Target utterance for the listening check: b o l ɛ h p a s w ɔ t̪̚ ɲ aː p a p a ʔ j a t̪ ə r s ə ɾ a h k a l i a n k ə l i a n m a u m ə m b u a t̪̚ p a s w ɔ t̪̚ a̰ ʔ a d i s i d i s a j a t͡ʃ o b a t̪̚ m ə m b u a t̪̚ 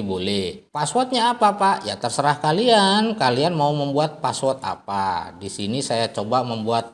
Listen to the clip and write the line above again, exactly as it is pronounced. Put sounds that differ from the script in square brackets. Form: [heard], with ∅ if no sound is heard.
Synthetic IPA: b o l ɛ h p a s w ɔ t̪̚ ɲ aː p a p a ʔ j a t̪ ə r s ə ɾ a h k a l i a n k [a] l i a n m a u m ə m b u a t̪̚ p a s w ɔ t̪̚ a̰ [p] a d i s i [n] i s a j a t͡ʃ o b a [∅] m ə m b u a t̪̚